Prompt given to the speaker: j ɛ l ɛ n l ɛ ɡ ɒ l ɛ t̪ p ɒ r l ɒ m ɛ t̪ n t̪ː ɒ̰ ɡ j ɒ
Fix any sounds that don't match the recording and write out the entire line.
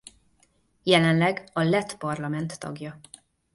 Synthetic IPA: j ɛ l ɛ n l ɛ ɡ ɒ l ɛ t̪ p ɒ r l ɒ m ɛ n t̪ː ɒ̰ ɡ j ɒ